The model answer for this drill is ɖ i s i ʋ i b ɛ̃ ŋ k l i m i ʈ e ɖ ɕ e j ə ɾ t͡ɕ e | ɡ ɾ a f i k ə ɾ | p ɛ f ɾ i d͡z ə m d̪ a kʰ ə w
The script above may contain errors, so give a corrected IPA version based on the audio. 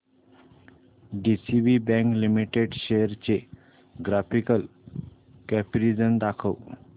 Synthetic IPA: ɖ i s i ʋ i b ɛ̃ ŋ k l i m i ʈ e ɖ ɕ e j ə ɾ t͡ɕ e | ɡ ɾ a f i k ə l | k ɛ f ɾ i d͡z ə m d̪ a kʰ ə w